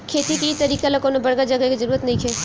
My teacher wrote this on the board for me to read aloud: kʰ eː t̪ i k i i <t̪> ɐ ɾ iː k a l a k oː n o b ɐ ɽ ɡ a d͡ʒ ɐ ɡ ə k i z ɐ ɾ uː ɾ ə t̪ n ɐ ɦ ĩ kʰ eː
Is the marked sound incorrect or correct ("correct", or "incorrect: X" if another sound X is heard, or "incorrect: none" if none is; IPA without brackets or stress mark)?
correct